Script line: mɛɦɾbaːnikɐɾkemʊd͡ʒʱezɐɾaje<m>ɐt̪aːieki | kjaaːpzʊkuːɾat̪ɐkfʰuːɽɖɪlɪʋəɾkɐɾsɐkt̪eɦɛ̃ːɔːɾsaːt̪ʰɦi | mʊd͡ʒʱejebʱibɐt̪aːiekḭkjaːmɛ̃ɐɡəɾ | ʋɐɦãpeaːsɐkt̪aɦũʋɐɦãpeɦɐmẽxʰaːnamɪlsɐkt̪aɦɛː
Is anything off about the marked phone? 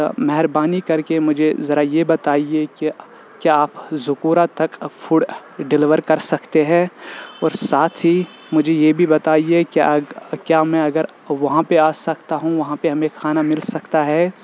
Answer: yes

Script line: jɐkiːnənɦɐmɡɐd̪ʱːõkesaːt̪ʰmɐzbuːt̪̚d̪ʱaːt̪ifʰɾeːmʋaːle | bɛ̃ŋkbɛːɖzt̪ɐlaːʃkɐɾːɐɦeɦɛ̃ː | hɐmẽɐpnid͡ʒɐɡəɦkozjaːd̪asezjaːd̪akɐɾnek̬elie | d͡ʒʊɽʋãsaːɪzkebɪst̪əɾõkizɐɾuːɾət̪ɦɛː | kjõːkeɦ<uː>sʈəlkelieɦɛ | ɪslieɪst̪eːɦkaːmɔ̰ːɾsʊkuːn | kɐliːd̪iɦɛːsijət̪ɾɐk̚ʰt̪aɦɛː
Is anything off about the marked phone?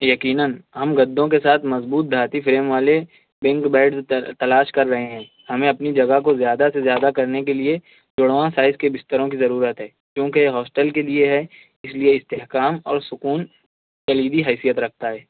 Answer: yes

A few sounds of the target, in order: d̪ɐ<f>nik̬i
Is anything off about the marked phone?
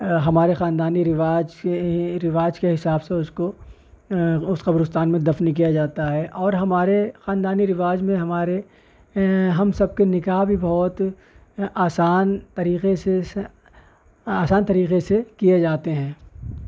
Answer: no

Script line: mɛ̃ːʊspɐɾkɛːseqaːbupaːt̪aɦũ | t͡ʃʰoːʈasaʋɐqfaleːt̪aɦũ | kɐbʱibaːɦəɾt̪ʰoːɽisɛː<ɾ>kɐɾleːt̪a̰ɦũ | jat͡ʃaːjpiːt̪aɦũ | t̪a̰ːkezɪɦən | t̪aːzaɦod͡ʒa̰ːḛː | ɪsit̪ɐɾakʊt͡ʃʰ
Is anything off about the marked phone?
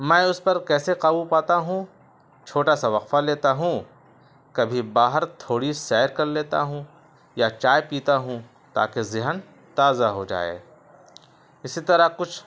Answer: no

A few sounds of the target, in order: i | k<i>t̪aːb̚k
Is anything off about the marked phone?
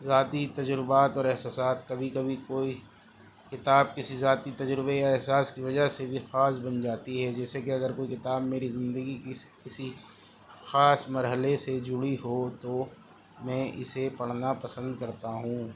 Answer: yes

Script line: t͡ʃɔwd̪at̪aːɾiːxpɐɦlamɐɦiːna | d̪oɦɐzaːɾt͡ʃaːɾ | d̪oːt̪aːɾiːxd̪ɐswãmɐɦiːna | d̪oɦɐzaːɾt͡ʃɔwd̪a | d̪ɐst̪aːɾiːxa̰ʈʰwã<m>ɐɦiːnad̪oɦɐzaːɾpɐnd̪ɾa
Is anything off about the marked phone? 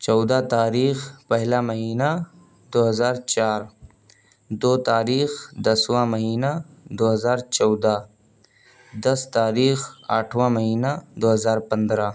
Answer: no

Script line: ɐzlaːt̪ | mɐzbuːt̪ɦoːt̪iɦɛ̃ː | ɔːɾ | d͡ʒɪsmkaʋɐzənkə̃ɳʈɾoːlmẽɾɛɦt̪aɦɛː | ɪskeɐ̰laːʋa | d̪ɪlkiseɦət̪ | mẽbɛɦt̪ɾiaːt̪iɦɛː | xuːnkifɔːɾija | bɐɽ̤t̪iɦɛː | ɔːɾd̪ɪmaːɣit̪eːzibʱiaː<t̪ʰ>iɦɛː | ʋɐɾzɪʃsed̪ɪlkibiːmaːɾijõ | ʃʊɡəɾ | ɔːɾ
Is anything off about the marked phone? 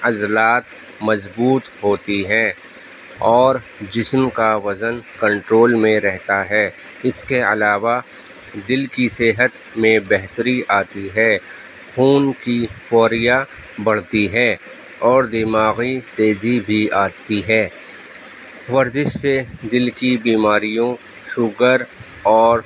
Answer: yes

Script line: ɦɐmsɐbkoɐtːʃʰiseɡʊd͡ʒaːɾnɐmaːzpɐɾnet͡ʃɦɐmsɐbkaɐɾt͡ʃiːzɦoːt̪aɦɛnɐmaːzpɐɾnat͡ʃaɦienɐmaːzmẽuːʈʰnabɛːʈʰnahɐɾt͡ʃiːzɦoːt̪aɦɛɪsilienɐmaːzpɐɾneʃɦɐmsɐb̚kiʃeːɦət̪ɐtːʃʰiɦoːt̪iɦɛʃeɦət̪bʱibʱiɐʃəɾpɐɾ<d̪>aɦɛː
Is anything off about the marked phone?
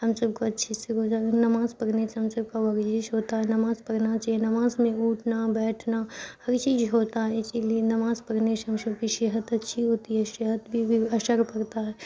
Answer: yes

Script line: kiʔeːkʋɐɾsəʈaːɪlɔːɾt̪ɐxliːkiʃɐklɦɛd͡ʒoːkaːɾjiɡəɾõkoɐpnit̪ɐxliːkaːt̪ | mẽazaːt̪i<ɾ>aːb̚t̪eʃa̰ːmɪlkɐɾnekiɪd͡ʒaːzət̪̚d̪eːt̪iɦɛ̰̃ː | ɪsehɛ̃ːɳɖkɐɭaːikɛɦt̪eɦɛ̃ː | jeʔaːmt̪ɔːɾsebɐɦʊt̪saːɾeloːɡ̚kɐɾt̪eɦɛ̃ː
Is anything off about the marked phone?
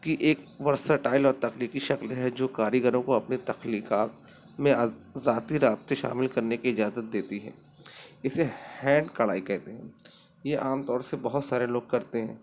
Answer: no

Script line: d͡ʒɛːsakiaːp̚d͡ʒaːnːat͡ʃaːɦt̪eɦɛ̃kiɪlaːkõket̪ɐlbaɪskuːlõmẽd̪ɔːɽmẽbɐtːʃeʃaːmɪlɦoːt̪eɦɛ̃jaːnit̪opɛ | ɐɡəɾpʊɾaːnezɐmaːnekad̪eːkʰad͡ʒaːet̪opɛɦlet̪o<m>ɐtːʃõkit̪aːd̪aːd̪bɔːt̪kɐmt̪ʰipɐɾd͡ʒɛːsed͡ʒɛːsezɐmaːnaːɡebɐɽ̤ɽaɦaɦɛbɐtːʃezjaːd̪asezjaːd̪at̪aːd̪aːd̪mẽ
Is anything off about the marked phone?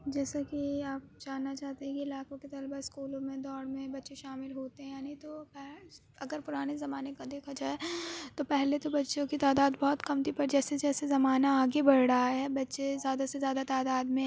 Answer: yes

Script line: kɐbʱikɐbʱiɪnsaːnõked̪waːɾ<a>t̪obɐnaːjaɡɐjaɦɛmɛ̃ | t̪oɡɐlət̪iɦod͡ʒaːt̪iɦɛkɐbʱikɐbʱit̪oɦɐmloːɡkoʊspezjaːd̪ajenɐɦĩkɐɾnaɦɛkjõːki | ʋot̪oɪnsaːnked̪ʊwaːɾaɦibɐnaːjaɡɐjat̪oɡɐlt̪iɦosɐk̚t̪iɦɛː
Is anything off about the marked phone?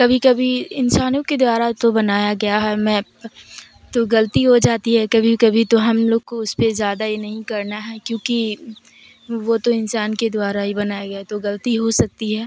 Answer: no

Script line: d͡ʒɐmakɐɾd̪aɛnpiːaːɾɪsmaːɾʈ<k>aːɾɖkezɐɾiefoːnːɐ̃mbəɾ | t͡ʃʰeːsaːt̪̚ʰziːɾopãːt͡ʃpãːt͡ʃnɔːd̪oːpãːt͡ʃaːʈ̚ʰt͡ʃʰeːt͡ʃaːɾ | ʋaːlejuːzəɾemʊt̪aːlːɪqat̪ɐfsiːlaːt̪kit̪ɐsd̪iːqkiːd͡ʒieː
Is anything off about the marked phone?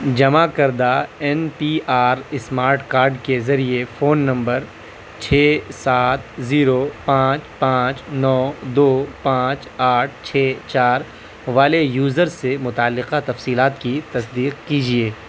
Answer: no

